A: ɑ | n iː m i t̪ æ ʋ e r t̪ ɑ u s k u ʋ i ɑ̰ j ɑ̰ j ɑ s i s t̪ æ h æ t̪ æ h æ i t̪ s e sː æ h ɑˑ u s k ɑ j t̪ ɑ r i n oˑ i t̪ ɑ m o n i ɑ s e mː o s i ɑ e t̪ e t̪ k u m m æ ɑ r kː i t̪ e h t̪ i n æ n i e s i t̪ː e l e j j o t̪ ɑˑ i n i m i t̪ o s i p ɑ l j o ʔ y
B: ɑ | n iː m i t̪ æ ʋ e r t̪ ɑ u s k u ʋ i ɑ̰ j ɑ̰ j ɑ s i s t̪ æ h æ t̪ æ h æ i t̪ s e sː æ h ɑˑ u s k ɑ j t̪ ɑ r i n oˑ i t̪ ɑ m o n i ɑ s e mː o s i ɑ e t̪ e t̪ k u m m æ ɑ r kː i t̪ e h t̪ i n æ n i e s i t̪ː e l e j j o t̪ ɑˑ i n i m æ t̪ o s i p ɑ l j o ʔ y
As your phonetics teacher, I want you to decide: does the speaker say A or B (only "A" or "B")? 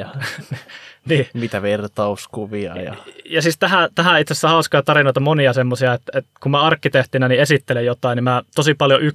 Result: B